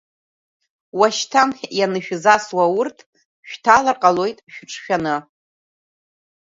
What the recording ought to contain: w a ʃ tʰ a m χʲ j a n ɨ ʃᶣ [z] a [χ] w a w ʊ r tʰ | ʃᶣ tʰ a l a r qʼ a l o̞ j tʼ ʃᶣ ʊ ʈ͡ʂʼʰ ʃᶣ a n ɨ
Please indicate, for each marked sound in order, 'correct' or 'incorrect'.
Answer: correct, incorrect

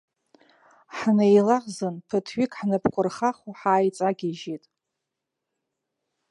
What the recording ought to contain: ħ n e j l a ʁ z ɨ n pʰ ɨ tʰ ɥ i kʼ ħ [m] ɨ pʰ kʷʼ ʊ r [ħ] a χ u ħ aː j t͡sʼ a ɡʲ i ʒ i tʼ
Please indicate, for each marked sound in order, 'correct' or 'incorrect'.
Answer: incorrect, incorrect

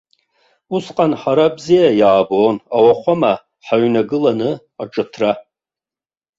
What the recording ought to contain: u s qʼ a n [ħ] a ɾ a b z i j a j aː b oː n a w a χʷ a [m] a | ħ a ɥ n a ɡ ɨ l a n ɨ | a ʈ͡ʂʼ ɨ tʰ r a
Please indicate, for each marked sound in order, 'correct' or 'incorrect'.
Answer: correct, correct

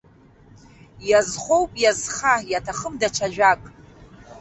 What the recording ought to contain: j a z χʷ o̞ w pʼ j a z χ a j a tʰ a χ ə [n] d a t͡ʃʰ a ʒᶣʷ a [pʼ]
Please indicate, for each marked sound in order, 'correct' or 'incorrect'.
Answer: incorrect, incorrect

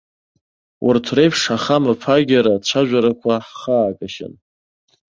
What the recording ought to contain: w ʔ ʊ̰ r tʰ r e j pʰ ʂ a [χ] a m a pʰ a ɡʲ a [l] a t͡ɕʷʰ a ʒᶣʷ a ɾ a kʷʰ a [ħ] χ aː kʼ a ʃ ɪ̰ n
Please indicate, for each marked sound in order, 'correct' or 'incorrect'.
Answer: correct, incorrect, correct

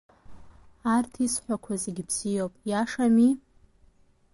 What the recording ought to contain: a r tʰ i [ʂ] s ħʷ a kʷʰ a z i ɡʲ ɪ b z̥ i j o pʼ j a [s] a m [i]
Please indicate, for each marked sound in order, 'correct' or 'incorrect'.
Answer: incorrect, incorrect, correct

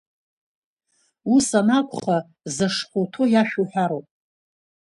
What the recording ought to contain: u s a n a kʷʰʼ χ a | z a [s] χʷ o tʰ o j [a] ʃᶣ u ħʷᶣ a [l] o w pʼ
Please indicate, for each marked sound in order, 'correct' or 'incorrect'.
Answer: incorrect, correct, incorrect

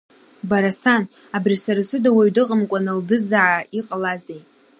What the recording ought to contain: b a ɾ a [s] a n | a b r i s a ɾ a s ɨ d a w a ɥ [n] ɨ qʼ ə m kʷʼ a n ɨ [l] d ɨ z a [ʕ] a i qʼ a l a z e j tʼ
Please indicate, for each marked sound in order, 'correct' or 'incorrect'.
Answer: correct, incorrect, correct, correct

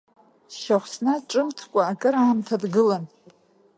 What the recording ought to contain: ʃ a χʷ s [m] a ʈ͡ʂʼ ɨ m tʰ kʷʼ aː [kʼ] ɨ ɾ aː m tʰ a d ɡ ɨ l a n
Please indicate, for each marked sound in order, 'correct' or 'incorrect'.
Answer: incorrect, correct

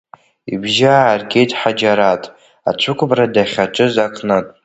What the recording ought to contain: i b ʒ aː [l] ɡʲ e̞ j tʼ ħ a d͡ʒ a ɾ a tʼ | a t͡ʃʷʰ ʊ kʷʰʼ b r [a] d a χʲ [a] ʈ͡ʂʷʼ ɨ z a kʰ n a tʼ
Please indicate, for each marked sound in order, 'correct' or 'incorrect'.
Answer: incorrect, correct, correct

